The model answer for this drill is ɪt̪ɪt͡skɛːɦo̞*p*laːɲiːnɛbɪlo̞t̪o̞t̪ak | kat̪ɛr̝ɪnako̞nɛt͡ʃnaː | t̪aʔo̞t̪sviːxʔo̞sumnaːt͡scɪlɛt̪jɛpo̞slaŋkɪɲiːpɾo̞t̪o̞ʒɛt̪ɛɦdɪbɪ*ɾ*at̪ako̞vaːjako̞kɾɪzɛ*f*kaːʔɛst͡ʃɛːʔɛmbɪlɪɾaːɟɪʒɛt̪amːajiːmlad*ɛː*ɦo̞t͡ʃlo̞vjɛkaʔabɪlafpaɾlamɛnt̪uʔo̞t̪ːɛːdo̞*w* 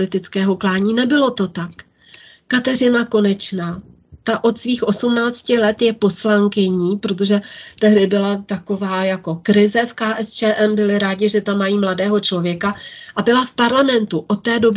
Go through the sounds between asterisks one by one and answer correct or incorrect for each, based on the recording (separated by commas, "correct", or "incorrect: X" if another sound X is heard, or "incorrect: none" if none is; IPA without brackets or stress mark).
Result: incorrect: k, incorrect: l, correct, correct, incorrect: b